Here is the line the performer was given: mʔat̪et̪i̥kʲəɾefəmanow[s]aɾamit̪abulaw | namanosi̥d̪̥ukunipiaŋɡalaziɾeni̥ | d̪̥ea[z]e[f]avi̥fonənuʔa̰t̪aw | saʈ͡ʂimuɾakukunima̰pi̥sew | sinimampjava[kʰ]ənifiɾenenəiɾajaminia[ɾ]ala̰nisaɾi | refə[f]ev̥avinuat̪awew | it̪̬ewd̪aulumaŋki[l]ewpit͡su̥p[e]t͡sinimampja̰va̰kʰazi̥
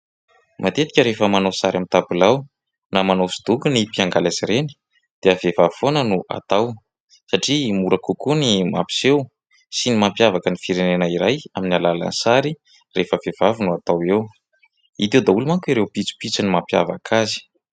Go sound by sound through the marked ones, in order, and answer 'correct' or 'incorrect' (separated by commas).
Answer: correct, incorrect, incorrect, incorrect, incorrect, incorrect, incorrect, incorrect